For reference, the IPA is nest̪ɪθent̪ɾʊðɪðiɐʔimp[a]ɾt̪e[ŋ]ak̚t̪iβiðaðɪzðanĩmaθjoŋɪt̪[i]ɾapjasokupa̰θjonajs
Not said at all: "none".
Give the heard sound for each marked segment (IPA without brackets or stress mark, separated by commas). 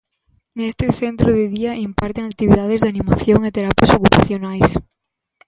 a, ŋ, e